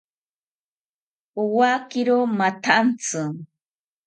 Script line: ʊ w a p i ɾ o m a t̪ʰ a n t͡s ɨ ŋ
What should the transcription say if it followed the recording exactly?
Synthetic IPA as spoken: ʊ w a k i ɾ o m a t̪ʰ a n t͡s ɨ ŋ